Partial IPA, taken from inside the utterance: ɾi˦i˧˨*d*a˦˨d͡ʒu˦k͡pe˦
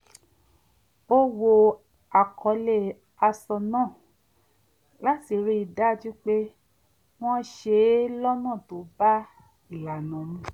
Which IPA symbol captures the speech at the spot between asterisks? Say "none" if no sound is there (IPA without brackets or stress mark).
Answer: d